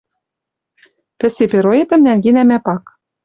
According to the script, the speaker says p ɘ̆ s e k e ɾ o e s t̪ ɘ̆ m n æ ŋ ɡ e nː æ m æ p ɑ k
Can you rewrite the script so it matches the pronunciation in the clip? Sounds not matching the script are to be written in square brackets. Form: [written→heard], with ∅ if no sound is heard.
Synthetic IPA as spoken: p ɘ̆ s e [k→p] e ɾ o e [s→∅] t̪ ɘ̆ m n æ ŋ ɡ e [nː→n] æ m æ p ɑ k